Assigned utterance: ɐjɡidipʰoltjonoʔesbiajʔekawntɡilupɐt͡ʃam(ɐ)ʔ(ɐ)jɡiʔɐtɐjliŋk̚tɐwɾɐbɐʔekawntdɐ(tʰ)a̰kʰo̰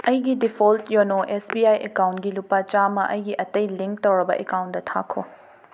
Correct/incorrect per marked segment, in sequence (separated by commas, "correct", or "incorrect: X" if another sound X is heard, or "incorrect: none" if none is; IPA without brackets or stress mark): correct, correct, correct